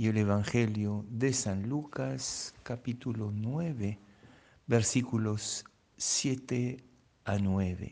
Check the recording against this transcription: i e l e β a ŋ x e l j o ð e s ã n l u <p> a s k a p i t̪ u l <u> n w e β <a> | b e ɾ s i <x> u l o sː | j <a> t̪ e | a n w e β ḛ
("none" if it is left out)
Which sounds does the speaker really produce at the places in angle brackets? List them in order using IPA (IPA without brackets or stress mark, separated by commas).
k, o, e, k, e